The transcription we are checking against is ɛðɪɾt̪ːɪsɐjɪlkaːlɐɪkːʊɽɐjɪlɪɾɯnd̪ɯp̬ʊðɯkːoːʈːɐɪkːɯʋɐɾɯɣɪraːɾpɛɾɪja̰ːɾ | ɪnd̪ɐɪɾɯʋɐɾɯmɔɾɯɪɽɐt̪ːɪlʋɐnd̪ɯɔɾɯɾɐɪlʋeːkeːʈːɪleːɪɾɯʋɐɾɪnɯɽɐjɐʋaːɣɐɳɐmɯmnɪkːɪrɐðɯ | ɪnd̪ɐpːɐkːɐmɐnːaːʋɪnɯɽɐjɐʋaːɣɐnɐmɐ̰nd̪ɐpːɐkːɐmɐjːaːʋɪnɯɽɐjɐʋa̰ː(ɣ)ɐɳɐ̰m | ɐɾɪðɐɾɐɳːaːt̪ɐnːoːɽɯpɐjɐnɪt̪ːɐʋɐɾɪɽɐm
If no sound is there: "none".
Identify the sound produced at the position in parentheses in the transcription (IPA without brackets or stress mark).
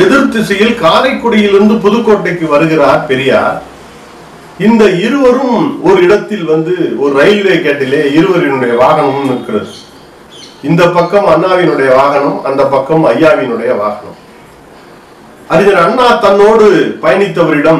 ɣ